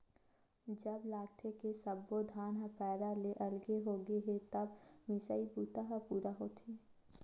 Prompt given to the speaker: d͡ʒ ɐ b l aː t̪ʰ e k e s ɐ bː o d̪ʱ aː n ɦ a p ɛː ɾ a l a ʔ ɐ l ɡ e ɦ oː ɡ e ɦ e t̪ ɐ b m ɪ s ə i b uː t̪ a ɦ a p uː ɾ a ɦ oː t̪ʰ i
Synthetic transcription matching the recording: d͡ʒ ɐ b l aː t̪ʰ e k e s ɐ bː o d̪ʱ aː n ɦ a p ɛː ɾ a l e ʔ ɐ l ɡ e ɦ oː ɡ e ɦ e t̪ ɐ b m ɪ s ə i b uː t̪ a ɦ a p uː ɾ a ɦ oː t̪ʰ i